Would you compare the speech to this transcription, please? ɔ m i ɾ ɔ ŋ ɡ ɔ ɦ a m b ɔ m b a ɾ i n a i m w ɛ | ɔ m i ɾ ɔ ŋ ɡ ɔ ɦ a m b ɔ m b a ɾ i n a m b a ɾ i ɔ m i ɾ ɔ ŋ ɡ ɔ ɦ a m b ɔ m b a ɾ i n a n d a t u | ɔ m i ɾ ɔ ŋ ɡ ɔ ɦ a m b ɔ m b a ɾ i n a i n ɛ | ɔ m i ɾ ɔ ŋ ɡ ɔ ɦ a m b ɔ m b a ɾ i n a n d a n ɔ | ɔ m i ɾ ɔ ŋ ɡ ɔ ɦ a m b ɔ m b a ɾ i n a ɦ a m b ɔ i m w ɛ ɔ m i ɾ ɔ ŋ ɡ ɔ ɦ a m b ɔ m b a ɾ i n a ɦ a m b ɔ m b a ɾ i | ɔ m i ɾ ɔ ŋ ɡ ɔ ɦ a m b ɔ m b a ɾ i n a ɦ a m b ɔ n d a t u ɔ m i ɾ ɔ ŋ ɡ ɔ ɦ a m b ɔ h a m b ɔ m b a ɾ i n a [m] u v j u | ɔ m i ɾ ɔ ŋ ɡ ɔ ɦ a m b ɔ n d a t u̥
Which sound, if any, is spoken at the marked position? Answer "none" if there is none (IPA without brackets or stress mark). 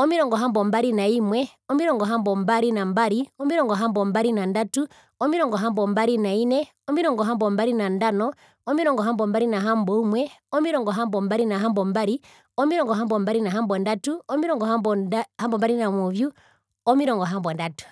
m